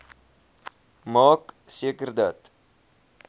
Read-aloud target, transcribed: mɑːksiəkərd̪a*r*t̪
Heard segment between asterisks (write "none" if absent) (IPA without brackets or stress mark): none